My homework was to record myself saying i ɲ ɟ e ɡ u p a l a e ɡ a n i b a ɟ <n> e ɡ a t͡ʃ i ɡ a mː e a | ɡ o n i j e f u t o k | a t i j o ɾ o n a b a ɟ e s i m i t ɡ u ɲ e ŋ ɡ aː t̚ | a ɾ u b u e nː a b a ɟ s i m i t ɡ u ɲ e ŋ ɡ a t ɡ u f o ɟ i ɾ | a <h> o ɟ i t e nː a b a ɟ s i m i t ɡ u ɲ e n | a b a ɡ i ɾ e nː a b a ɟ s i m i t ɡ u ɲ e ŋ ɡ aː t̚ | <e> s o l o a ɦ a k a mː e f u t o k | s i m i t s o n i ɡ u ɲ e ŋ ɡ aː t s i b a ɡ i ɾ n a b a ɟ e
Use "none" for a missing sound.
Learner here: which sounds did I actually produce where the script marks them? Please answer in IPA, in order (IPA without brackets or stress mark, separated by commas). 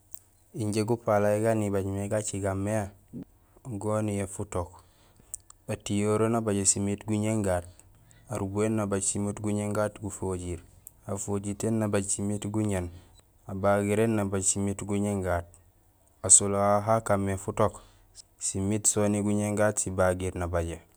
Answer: m, f, a